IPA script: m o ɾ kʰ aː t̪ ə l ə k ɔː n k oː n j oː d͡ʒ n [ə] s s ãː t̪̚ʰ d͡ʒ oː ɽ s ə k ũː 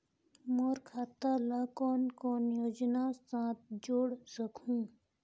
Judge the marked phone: incorrect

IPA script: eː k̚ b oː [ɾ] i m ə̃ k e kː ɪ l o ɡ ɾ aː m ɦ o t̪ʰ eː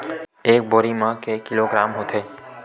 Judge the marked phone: correct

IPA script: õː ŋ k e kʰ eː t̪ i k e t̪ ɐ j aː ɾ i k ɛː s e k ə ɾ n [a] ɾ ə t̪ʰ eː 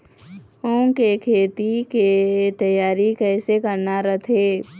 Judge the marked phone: correct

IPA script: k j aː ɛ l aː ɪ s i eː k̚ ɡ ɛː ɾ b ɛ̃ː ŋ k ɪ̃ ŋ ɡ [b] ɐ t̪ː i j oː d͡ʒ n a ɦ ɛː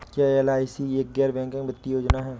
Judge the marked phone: correct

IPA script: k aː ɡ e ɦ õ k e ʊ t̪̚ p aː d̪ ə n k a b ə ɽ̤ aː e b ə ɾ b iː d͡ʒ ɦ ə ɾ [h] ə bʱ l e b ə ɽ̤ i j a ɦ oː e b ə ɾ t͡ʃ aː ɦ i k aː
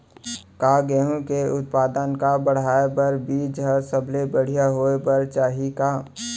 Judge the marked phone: incorrect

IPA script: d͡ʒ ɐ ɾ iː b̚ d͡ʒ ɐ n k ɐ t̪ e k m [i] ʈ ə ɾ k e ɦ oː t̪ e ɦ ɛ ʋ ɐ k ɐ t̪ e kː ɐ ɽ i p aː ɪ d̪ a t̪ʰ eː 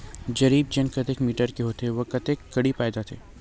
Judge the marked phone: incorrect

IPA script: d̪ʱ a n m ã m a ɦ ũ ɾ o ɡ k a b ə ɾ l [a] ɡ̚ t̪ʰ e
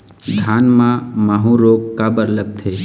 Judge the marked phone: incorrect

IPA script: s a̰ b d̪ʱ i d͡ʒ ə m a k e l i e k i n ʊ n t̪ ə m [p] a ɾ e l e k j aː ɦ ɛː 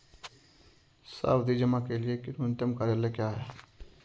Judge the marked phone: incorrect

